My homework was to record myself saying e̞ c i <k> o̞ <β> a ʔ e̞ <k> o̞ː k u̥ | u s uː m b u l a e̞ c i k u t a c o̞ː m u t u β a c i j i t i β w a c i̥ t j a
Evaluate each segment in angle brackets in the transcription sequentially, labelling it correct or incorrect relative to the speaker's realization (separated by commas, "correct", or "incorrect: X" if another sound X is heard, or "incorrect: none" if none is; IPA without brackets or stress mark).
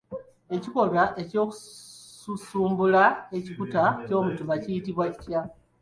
correct, correct, incorrect: c